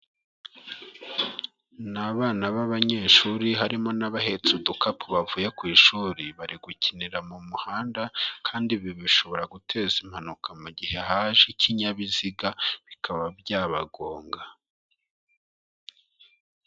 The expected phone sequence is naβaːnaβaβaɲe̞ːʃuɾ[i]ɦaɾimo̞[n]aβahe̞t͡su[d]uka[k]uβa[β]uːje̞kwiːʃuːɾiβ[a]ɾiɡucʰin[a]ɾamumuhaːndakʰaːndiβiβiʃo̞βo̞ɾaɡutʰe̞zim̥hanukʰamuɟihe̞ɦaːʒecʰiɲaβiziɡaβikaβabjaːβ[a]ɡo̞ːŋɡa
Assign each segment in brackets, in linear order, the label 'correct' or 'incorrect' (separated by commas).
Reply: correct, correct, correct, incorrect, incorrect, correct, incorrect, correct